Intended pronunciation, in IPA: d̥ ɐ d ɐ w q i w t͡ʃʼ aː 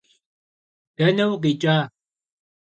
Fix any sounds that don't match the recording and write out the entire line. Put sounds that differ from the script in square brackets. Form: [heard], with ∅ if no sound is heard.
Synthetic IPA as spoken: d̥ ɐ [n] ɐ w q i [∅] t͡ʃʼ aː